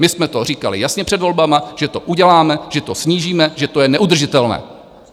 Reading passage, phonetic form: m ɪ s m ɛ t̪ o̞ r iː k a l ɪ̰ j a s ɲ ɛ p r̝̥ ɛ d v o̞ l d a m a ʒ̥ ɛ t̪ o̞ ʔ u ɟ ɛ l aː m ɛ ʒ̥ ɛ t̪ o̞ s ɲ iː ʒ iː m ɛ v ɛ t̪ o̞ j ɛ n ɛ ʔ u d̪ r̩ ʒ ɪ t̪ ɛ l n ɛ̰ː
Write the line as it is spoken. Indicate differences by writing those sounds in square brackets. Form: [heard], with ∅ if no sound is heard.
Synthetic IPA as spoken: m ɪ s m ɛ t̪ o̞ r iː k a l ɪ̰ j a s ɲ ɛ p r̝̥ ɛ d v o̞ l [b] a m a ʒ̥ ɛ t̪ o̞ ʔ u ɟ ɛ l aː m ɛ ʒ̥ ɛ t̪ o̞ s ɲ iː ʒ iː m ɛ [ʒ] ɛ t̪ o̞ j ɛ n ɛ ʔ u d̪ r̩ ʒ ɪ t̪ ɛ l n ɛ̰ː